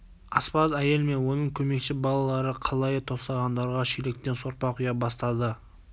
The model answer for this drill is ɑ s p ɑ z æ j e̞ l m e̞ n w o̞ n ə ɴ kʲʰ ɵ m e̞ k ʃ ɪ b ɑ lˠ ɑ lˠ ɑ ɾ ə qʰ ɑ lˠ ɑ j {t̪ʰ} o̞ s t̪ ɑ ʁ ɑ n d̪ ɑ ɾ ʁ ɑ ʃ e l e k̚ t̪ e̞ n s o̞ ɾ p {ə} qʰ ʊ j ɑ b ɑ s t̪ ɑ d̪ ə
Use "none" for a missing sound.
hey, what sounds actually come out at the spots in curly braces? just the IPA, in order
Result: t̪ʰ, ɑ

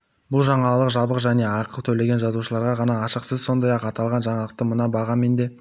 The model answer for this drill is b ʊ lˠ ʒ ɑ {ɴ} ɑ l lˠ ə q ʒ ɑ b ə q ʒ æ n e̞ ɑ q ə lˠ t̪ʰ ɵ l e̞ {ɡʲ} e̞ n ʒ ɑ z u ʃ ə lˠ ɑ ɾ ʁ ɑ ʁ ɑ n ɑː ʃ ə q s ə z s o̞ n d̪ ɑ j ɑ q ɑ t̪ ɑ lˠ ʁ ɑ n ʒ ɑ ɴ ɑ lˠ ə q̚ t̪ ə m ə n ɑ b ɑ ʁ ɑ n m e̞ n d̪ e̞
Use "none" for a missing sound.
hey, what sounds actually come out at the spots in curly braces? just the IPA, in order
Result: ɴ, ɡʲ

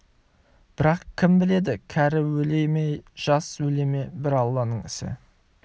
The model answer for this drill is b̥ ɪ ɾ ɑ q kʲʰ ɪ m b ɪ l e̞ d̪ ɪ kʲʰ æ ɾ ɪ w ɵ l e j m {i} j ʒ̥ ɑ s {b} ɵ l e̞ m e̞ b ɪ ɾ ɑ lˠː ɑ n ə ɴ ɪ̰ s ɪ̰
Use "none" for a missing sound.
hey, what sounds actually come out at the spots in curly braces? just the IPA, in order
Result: e, w

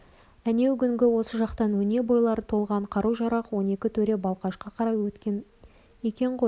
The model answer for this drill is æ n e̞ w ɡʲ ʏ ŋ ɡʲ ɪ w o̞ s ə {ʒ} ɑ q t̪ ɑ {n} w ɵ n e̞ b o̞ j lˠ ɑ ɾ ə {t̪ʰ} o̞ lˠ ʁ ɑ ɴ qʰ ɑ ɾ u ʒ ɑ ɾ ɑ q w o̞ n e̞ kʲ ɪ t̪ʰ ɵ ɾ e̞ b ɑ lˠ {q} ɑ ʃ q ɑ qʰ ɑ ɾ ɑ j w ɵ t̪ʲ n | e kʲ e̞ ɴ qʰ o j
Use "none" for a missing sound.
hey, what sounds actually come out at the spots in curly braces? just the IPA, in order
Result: ʒ, n, t̪ʰ, q

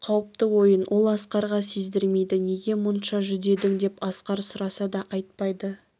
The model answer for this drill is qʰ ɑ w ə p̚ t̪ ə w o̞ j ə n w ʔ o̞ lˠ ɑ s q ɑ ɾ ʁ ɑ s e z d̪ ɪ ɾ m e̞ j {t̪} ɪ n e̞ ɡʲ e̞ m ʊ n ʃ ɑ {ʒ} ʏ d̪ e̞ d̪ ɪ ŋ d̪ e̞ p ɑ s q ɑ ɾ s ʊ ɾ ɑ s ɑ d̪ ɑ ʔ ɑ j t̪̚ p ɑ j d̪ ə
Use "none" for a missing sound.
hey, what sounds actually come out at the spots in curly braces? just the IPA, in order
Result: d̪, ʒ

